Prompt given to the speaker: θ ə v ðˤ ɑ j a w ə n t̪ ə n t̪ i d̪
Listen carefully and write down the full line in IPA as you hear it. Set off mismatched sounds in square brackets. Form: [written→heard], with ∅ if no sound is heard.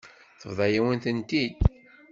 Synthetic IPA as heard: θ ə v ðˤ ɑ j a w ə n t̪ ə n t̪ i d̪